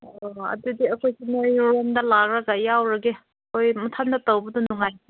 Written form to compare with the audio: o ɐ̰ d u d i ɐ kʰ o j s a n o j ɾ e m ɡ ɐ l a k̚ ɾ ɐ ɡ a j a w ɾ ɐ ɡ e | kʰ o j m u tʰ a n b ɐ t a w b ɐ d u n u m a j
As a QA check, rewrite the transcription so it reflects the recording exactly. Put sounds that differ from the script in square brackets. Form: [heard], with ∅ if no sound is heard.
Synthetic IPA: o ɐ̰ d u d i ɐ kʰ o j s [i] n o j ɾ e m [d] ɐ l a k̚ ɾ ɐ ɡ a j a w ɾ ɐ ɡ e | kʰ o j m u tʰ a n [d] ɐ t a w b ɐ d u n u [ŋ] a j